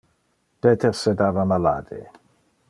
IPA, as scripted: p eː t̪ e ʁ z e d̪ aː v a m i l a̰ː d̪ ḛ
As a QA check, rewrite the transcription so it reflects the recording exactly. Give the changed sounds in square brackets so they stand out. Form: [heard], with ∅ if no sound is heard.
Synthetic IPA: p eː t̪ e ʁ [s] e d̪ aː v a m [a] l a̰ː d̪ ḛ